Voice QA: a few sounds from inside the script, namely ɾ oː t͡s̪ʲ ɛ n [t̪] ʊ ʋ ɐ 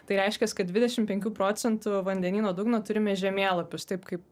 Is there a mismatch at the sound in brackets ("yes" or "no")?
no